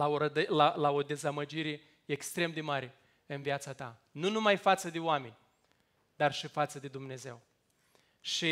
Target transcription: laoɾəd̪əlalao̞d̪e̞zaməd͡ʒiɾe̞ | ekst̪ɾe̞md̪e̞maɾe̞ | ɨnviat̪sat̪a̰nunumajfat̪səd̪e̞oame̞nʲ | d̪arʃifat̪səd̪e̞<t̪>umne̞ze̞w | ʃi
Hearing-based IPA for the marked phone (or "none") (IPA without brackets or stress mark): d̪